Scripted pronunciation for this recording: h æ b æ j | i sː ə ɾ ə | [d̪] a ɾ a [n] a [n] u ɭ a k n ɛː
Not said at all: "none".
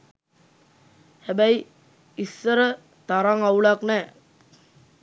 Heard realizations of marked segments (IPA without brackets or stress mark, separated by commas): t̪, ŋ, none